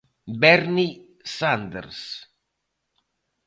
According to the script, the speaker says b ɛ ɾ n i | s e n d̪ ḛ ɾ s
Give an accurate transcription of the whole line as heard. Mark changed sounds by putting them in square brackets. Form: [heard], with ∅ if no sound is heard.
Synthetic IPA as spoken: b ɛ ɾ n i | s [a] n d̪ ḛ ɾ s